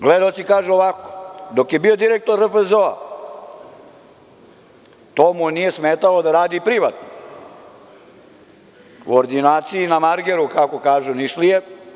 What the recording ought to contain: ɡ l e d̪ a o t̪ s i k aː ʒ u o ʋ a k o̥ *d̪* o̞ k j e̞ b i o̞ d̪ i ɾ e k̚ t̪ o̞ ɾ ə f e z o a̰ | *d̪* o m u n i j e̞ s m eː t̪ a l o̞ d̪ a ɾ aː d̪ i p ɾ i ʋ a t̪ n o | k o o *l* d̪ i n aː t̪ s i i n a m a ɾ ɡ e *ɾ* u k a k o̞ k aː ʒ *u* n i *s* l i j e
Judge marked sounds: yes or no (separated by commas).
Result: yes, no, no, yes, yes, no